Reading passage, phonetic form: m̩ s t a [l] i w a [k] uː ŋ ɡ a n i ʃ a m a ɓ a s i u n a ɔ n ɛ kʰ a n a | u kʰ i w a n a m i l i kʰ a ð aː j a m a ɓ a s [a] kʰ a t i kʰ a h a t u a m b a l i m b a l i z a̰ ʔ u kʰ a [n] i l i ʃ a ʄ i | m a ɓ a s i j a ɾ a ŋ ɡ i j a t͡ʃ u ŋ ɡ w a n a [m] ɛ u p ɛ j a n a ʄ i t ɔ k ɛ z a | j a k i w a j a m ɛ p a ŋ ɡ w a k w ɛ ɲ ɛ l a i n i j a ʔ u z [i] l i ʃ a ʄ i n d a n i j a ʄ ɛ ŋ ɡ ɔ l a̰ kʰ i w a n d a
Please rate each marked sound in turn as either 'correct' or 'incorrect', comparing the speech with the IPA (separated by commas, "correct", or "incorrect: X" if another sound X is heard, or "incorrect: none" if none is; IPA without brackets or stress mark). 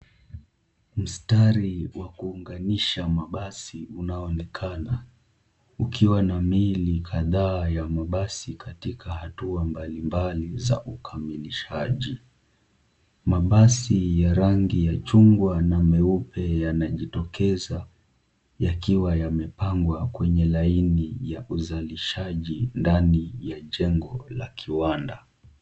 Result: incorrect: ɾ, correct, incorrect: i, incorrect: m, correct, incorrect: a